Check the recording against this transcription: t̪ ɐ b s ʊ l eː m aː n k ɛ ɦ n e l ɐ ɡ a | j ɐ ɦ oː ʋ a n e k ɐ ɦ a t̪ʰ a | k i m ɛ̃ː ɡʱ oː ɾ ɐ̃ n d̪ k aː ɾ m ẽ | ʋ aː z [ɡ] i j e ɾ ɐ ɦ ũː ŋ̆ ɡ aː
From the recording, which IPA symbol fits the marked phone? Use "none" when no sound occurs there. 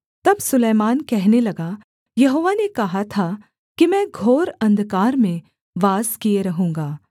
k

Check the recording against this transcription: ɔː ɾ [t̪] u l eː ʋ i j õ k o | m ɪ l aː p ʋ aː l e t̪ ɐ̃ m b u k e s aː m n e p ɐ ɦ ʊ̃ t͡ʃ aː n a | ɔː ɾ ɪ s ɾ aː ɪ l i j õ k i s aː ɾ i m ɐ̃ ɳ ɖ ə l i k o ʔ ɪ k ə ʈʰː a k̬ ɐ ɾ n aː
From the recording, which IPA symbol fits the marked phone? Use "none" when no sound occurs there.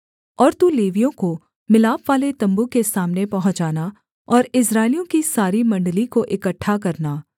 t̪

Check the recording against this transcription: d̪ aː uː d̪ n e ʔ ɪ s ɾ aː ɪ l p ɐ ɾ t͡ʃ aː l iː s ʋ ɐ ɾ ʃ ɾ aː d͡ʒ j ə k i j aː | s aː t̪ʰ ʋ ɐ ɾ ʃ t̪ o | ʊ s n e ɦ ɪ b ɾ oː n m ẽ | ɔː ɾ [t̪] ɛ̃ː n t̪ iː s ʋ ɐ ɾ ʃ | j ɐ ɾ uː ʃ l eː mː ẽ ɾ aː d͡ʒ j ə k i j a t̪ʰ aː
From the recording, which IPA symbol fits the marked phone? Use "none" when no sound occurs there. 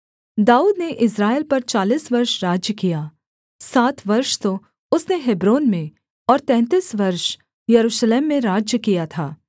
t̪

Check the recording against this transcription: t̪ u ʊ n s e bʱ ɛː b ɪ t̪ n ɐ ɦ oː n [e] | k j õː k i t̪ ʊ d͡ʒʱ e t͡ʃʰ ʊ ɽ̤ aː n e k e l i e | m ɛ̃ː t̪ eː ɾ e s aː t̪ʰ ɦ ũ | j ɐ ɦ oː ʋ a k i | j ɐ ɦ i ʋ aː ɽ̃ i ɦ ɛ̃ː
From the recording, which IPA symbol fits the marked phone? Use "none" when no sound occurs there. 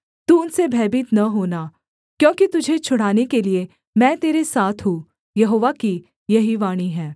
a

